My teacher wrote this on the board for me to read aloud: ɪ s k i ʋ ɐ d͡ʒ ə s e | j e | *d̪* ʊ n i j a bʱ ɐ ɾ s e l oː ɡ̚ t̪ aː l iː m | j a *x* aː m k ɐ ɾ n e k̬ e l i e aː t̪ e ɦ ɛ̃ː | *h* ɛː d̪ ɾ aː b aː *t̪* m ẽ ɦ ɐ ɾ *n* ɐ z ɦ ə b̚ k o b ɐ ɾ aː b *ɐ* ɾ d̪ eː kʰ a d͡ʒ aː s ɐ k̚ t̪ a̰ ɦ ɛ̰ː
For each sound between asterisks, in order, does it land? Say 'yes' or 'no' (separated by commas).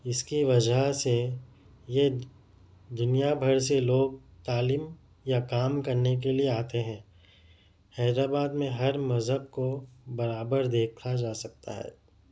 yes, no, yes, no, no, no